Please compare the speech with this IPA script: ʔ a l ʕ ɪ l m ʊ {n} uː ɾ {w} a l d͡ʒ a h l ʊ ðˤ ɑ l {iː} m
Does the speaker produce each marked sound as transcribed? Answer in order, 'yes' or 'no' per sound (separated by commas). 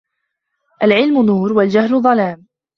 yes, yes, no